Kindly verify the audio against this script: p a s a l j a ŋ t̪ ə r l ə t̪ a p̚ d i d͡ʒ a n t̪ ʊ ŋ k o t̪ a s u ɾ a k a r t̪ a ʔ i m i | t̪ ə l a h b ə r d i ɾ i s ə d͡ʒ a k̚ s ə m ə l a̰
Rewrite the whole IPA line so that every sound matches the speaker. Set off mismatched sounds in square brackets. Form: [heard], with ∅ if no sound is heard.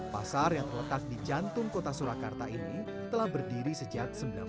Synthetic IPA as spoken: p a s a [r] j a ŋ t̪ ə r l ə t̪ a [k̚] d i d͡ʒ a n t̪ ʊ ŋ k o t̪ a s u ɾ a k a r t̪ a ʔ i [n] i | t̪ ə l a h b ə r d i ɾ i s ə d͡ʒ a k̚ s ə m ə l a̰